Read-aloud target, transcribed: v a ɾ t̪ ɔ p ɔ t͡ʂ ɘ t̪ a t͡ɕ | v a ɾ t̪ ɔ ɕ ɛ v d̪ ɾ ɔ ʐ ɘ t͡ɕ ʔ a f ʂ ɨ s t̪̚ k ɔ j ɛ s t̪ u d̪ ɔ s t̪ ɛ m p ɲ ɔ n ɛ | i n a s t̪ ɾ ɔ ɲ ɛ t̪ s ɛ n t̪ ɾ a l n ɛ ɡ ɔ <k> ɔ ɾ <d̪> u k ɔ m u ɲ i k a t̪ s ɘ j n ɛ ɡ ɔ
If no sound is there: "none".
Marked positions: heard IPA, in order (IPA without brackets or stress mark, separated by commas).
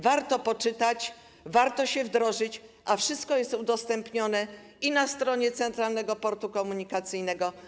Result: p, t̪